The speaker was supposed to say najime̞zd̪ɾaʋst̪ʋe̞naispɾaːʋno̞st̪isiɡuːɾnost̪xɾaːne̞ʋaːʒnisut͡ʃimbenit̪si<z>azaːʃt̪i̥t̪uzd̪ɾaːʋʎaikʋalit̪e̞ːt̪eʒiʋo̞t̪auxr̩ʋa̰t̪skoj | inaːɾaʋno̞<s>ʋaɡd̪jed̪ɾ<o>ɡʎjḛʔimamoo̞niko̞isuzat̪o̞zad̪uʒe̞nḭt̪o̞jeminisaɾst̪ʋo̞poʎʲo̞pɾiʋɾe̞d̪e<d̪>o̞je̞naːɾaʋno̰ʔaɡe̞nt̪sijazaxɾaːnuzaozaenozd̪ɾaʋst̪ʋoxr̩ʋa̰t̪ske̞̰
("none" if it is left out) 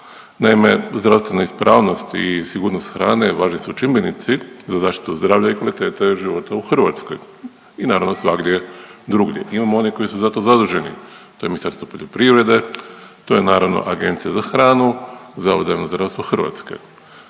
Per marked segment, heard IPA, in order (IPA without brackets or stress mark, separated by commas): z, s, u, t̪